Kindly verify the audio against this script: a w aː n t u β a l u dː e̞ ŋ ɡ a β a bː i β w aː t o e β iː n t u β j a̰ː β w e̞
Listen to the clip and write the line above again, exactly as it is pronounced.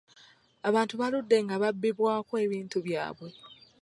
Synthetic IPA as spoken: a β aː n t u β a l u dː e̞ ŋ ɡ a β a bː i β w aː k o e β iː n t u β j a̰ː β w e̞